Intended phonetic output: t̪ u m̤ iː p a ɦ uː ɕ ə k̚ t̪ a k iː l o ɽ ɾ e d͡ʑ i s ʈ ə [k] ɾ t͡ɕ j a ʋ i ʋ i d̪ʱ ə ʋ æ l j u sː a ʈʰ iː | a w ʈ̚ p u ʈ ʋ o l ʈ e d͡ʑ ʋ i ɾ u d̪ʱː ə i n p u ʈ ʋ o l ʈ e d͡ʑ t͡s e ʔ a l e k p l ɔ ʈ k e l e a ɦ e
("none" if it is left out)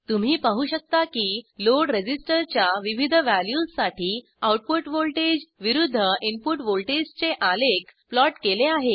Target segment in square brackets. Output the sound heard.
none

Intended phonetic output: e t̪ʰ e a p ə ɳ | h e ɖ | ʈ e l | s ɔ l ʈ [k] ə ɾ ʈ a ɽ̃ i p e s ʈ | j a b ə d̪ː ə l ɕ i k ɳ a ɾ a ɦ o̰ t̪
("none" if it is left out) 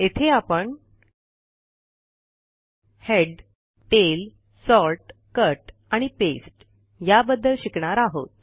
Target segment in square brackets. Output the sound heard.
k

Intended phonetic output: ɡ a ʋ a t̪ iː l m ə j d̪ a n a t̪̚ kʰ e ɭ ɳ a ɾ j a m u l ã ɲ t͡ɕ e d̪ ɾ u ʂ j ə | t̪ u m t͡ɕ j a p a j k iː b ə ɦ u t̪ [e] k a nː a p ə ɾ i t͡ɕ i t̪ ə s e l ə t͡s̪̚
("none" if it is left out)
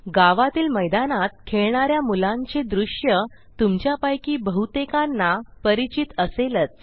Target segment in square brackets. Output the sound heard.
e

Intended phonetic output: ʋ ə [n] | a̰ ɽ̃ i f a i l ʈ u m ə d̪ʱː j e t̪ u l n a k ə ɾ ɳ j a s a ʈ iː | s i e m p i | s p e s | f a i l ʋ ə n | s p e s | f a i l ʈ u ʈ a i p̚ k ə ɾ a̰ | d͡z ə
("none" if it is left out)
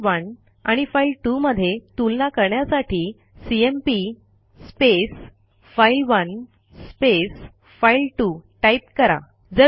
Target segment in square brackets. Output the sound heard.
n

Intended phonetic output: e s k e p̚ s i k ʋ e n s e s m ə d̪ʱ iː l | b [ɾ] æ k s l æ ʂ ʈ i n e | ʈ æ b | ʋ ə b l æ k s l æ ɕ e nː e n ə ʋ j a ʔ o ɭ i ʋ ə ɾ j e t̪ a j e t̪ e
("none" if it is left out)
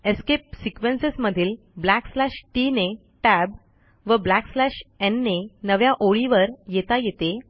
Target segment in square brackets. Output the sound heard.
l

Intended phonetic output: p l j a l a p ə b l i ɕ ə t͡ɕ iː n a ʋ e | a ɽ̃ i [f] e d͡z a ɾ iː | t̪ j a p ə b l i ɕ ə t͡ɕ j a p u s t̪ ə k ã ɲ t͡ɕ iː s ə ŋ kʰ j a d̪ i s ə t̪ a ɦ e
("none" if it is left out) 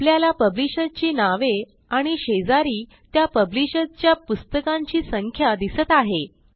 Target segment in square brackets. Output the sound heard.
ɕ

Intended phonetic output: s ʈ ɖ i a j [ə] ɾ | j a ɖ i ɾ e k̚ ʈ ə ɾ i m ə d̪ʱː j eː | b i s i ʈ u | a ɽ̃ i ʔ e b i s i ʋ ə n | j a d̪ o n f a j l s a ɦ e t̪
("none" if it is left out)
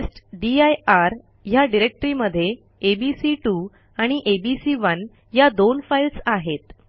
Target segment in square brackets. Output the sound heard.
a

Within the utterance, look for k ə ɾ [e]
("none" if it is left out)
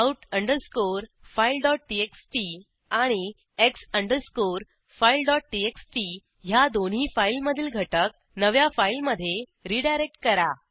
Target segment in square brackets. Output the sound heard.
a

